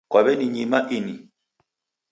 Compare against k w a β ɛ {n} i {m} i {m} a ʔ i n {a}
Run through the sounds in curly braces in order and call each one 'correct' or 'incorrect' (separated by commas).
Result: correct, incorrect, correct, incorrect